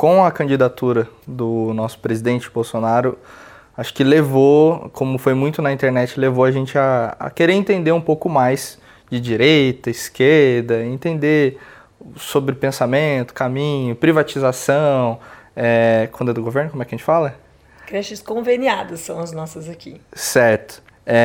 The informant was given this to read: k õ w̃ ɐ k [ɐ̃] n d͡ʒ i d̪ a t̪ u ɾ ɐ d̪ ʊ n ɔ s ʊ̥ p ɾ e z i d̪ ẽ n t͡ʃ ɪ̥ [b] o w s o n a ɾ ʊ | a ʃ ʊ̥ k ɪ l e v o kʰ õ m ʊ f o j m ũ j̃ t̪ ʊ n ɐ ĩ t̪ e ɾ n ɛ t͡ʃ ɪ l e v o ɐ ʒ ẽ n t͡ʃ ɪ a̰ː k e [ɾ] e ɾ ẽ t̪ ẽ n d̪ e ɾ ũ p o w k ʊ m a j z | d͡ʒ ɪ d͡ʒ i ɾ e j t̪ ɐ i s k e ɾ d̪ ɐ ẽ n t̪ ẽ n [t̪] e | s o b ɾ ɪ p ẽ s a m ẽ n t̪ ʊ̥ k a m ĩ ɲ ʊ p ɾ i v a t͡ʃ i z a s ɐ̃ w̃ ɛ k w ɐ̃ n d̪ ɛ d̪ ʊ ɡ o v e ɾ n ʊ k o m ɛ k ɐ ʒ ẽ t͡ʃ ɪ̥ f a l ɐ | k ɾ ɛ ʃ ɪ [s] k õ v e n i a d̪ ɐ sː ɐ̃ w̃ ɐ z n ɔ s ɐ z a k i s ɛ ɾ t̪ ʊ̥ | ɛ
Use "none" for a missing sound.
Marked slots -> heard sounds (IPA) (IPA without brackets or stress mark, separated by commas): ɐ̃, b, ɾ, d̪, s